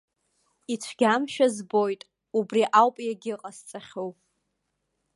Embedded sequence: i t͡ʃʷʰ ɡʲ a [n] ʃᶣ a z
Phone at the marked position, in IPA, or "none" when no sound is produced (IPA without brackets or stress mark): m